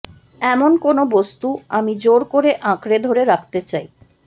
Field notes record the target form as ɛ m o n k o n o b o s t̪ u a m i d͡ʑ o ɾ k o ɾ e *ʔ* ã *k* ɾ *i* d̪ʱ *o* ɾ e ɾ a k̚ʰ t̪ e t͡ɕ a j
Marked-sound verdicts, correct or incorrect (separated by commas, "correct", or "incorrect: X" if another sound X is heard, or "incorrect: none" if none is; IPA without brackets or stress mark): correct, correct, incorrect: e, correct